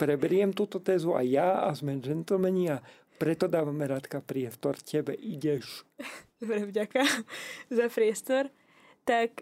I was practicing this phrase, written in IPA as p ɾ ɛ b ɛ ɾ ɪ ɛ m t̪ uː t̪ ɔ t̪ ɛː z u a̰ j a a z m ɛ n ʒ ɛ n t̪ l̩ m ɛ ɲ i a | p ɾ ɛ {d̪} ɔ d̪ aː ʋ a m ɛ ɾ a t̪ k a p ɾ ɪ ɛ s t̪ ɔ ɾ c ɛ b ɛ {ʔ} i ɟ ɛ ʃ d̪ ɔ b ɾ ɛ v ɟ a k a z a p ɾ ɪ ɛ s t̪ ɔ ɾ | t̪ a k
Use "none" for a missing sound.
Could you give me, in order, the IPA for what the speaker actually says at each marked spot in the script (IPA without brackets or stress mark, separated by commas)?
t̪, ʔ